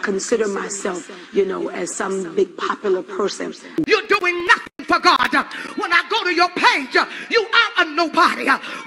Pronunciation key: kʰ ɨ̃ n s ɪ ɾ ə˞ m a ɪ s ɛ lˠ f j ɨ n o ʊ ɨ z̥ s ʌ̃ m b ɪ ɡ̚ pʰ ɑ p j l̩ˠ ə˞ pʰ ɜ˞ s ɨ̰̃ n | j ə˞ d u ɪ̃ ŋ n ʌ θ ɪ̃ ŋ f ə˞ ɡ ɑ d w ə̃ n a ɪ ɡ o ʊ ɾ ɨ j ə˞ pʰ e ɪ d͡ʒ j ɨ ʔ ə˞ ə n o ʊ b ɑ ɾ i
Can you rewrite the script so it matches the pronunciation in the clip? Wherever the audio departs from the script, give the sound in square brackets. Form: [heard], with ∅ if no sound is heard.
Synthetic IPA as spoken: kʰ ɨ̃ n s ɪ ɾ ə˞ m a ɪ s ɛ lˠ f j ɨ n o ʊ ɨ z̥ s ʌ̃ m b ɪ ɡ̚ pʰ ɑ p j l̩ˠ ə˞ pʰ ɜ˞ s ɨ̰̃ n | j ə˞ d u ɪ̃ ŋ n ʌ θ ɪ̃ ŋ f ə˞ ɡ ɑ d w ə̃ n a ɪ ɡ o ʊ ɾ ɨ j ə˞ pʰ e ɪ d͡ʒ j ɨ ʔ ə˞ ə n o ʊ b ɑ ɾ i